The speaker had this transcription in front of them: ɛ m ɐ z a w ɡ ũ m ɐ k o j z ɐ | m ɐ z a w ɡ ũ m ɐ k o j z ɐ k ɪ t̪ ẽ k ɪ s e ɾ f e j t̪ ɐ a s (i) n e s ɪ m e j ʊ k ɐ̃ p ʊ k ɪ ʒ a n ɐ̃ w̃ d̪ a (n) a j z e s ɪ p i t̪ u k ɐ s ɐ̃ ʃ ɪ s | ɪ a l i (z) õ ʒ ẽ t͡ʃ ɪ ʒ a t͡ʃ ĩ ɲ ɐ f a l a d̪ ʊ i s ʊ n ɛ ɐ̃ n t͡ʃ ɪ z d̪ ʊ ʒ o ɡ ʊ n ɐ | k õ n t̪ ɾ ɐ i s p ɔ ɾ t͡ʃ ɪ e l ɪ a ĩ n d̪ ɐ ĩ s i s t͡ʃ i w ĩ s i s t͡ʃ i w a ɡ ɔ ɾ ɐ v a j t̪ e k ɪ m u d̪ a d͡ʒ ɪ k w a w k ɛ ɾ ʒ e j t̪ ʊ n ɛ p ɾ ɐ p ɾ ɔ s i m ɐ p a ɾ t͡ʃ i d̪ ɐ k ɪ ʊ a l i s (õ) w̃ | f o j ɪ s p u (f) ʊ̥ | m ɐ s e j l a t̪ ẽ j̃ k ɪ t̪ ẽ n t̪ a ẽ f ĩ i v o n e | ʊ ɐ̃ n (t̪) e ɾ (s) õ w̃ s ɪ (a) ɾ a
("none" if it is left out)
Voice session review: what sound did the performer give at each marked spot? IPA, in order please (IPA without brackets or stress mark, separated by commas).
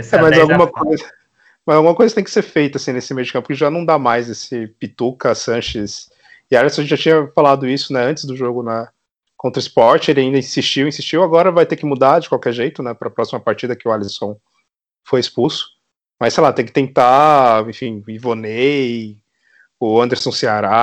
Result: ĩ, m, s, õ, s, d̪, s, a